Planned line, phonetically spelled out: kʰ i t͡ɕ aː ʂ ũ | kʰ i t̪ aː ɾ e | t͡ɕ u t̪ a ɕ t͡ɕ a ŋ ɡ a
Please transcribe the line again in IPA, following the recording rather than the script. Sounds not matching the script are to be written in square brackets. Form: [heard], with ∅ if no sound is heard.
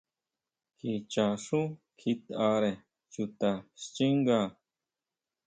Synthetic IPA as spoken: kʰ i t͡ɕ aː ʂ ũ | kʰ i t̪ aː ɾ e | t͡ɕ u t̪ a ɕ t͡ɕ [i] ŋ ɡ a